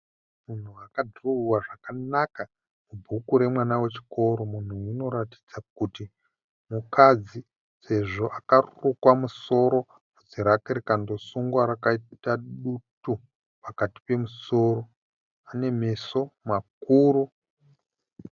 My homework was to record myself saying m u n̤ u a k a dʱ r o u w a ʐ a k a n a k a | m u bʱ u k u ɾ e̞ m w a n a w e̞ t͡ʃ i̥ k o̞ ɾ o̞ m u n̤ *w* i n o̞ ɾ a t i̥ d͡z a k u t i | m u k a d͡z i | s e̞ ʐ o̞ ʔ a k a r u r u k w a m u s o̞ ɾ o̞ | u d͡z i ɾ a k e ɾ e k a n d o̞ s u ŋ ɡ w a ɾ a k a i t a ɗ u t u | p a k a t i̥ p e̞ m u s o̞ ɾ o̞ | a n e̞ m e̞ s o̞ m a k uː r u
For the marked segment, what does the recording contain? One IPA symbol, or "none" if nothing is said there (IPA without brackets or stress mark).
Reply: u